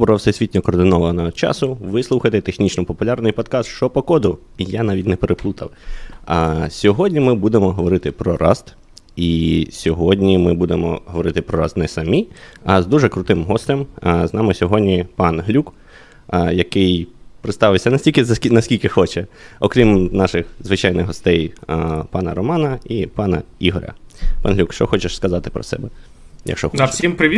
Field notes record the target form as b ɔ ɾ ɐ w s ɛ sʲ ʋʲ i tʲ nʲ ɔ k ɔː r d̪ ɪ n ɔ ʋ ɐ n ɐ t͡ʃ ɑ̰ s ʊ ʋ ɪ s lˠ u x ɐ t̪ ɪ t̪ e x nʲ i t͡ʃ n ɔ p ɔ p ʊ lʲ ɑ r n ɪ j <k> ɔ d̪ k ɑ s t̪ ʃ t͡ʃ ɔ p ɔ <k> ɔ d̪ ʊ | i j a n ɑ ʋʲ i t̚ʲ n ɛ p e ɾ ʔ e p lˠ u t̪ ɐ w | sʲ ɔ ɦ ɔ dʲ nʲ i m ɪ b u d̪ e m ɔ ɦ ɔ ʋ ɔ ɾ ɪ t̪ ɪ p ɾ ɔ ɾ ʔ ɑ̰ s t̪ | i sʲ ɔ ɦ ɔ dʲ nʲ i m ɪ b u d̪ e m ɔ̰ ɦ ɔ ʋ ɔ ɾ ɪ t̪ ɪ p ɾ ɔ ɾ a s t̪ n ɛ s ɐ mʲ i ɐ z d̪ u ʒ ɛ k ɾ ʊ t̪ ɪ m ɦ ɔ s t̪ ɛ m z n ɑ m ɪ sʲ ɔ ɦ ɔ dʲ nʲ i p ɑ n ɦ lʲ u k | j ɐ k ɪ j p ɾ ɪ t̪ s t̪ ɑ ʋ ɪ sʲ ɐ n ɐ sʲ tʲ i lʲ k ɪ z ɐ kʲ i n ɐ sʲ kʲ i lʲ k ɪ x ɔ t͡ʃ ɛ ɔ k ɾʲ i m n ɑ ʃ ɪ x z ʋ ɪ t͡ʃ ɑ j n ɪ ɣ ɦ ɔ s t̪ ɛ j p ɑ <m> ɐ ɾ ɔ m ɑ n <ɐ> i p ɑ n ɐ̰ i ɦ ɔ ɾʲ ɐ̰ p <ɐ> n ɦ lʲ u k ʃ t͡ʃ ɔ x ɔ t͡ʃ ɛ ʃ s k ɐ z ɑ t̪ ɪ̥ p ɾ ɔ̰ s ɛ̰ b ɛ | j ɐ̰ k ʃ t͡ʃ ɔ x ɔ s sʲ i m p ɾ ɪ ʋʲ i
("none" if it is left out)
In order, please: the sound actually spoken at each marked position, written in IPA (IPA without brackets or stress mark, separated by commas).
p, k, n, ɐ, ɑ